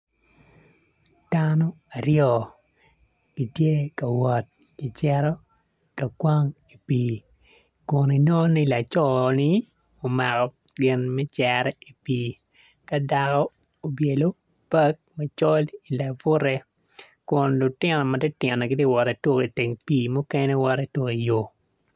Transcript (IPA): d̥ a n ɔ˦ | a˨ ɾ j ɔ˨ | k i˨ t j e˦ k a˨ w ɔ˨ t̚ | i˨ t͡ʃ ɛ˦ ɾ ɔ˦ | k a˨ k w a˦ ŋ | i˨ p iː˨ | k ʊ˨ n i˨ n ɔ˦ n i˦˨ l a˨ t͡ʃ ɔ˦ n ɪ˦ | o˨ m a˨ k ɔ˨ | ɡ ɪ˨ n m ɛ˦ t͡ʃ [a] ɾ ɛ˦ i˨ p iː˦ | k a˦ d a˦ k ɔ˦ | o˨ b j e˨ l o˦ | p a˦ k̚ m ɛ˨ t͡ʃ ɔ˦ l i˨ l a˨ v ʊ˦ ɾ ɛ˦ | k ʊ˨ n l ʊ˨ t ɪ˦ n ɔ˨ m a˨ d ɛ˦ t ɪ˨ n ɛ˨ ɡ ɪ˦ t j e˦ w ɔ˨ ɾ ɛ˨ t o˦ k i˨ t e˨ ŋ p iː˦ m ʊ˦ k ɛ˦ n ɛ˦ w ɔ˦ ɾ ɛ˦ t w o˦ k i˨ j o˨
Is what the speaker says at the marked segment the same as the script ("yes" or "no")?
no